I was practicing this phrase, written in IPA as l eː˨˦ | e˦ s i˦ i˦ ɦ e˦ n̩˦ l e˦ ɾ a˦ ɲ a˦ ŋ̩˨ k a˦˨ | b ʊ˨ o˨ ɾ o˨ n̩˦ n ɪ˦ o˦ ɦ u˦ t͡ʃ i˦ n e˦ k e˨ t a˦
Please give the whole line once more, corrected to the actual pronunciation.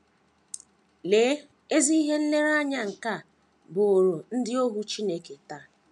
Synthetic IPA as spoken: l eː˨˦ | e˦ z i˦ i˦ ɦ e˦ n̩˦ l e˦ ɾ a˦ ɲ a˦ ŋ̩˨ k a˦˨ | b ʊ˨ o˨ ɾ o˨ n̩˦ d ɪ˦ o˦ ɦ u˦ t͡ʃ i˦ n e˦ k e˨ t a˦